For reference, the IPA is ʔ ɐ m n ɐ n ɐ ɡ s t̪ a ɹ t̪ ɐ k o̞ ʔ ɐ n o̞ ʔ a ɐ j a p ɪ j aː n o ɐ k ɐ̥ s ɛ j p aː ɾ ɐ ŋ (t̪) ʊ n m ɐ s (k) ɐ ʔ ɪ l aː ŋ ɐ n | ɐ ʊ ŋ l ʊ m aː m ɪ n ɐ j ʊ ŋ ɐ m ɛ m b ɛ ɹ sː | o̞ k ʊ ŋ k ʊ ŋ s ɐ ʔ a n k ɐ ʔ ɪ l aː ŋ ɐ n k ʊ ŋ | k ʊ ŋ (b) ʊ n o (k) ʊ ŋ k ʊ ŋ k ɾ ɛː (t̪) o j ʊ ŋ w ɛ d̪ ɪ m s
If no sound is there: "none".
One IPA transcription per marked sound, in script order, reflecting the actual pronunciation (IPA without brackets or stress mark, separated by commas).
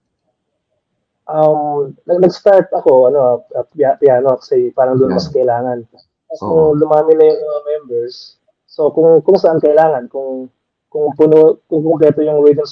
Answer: d̪, k, p, k, t̪